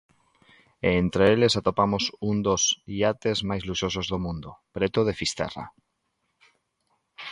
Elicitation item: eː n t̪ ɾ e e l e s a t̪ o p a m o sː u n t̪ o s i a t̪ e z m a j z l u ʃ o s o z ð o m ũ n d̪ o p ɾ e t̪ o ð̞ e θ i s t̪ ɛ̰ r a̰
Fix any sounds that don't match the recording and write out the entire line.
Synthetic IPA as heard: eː n t̪ ɾ e e l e s a t̪ o p a m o s u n d̪ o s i a t̪ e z m a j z l u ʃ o s o z ð o m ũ n d̪ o p ɾ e t̪ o ð̞ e f i s t̪ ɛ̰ r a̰